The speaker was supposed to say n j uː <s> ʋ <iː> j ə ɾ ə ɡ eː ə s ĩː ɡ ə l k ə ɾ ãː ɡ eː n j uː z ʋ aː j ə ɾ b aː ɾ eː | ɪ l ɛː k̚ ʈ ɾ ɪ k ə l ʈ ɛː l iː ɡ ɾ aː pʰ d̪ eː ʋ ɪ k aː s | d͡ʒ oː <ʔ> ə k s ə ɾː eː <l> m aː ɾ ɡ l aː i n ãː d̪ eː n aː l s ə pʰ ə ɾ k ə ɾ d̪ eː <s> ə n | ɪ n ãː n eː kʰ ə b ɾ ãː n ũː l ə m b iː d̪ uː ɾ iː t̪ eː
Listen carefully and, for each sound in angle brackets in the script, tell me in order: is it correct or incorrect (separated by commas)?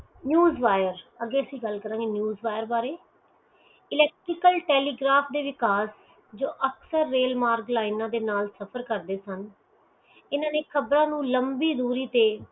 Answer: incorrect, incorrect, correct, correct, correct